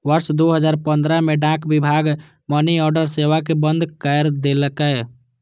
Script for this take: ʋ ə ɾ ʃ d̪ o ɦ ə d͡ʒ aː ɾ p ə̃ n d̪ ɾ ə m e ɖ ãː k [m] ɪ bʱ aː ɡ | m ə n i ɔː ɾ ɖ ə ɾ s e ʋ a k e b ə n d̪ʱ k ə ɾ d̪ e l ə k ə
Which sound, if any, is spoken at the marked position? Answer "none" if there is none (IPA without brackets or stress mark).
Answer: b